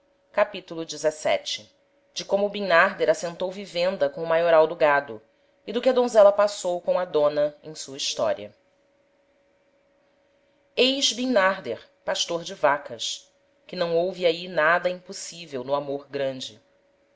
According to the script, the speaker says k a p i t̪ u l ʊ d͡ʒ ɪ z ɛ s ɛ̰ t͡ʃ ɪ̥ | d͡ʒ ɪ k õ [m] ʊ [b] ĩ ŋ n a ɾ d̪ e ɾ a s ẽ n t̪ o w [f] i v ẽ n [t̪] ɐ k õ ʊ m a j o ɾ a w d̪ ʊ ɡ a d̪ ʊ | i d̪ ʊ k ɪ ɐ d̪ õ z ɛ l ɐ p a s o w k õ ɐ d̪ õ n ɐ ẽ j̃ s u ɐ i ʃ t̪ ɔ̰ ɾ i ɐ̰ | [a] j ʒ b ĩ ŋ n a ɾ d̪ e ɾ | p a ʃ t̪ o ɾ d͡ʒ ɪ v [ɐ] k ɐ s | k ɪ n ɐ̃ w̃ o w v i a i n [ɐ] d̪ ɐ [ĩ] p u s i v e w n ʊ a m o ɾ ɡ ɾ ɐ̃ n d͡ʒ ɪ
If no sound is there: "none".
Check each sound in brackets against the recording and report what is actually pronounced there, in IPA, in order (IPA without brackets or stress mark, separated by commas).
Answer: m, b, v, d̪, e, a, a, ĩ